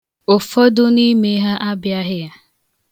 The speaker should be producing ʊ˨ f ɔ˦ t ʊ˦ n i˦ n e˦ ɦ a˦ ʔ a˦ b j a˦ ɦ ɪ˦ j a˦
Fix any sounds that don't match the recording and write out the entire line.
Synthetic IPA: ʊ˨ f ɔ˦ d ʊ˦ n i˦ m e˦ ɦ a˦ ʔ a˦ b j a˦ ɦ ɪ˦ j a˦